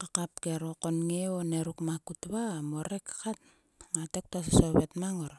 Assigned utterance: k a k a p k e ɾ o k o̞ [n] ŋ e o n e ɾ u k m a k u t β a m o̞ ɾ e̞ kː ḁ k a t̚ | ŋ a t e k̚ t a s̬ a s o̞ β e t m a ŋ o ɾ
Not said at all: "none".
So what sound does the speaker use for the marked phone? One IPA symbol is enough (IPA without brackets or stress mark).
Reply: n